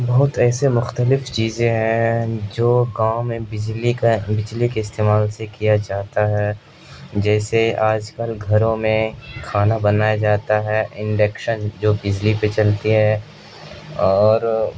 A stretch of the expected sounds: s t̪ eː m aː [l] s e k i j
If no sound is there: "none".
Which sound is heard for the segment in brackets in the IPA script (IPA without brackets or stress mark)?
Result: l